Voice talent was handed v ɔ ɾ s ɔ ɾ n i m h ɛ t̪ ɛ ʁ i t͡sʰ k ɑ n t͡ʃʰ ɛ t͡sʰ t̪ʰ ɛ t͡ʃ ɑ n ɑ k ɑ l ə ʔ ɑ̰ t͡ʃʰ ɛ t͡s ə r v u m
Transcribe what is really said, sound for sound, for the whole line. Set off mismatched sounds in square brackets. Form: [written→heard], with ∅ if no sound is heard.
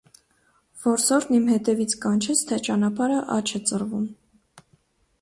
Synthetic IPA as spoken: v ɔ ɾ s ɔ ɾ n i m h ɛ t̪ ɛ [ʁ→v] i t͡sʰ k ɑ n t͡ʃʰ ɛ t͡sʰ t̪ʰ ɛ t͡ʃ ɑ n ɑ [k→p] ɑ [l→ɾ] ə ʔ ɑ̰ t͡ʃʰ ɛ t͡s ə r v u m